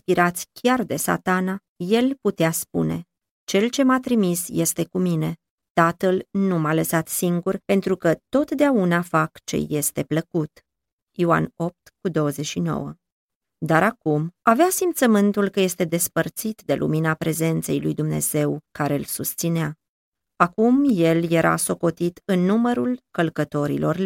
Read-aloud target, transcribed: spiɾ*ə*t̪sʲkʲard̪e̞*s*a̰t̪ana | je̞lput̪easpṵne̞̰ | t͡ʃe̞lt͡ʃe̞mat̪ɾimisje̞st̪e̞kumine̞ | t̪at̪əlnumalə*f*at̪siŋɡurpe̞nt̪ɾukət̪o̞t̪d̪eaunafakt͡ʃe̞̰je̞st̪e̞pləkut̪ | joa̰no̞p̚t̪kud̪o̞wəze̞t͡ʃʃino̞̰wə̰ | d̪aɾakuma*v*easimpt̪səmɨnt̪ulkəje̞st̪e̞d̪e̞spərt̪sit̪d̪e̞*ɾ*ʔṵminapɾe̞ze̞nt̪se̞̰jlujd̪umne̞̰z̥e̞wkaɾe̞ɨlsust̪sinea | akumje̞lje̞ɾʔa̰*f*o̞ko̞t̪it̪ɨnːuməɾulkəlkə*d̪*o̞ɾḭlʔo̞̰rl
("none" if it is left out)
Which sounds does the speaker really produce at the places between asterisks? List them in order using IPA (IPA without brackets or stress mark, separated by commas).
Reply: a, s, s, v, l, s, t̪